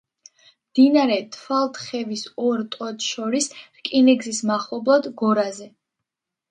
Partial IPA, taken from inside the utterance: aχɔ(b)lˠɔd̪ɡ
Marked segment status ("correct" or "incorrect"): correct